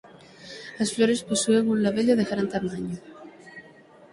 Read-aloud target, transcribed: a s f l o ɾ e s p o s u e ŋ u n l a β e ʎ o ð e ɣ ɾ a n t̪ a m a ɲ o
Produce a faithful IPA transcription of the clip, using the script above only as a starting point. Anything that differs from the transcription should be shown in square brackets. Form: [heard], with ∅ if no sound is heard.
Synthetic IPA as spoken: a s f l o ɾ e s p o s u e ŋ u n l a β e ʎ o ð e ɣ ɾ a n t̪ a m a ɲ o